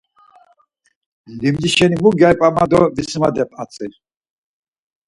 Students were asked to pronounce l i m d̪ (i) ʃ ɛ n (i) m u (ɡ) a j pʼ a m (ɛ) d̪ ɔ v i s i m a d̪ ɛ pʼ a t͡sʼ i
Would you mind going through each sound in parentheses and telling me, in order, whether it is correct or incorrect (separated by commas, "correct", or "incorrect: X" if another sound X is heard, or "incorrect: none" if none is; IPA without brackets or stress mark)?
correct, correct, correct, incorrect: a